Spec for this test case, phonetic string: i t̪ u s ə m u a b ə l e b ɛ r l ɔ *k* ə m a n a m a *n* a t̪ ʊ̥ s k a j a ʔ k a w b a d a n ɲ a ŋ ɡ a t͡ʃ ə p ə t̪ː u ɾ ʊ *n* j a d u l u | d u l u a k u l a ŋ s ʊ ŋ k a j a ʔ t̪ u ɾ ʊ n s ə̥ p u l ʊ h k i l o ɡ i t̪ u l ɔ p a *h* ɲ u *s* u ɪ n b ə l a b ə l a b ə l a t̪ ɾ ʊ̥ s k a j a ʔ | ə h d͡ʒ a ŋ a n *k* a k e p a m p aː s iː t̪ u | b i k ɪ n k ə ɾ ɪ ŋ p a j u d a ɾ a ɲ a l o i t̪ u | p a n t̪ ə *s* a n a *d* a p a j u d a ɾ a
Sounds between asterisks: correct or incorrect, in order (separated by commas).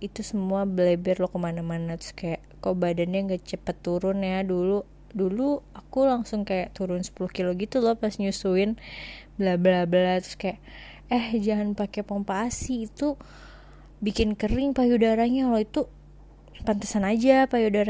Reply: correct, correct, correct, incorrect, correct, incorrect, correct, incorrect